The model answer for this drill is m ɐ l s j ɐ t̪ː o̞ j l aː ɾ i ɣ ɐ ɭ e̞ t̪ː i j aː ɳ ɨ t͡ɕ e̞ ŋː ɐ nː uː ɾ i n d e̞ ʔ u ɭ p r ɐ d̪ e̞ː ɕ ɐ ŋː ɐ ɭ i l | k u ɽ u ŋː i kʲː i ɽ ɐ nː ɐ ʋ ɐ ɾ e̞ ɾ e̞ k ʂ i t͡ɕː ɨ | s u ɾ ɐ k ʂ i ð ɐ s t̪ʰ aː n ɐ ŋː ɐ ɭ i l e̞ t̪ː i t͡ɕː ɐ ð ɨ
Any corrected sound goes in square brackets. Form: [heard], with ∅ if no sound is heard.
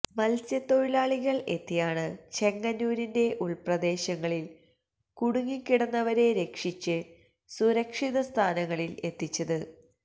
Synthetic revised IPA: m ɐ l s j ɐ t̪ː o̞ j l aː [ɭ] i ɣ ɐ ɭ e̞ t̪ː i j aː ɳ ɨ t͡ɕ e̞ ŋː ɐ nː uː ɾ i n d e̞ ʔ u ɭ p r ɐ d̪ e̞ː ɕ ɐ ŋː ɐ ɭ i l | k u ɽ u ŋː i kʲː i ɽ ɐ nː ɐ ʋ ɐ ɾ e̞ ɾ e̞ k ʂ i t͡ɕː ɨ | s u ɾ ɐ k ʂ i ð ɐ s t̪ʰ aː n ɐ ŋː ɐ ɭ i l e̞ t̪ː i t͡ɕː ɐ ð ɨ